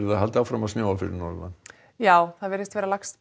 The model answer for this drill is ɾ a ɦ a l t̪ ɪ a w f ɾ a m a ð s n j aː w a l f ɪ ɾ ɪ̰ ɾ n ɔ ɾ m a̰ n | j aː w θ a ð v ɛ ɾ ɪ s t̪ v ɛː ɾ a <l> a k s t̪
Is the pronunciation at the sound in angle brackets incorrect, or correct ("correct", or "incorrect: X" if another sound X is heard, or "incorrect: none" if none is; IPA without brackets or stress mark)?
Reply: correct